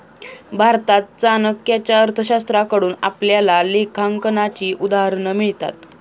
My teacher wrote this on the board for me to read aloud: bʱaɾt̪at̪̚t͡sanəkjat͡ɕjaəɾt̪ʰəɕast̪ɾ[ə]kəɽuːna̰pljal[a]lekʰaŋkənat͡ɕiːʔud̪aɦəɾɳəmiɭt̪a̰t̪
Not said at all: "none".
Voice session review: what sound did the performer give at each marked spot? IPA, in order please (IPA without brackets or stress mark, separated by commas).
a, a